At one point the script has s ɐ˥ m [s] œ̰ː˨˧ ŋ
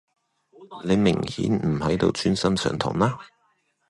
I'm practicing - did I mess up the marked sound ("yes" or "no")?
no